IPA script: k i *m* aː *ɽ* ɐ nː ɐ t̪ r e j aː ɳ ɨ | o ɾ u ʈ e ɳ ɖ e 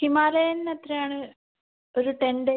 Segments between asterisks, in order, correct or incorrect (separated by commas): correct, incorrect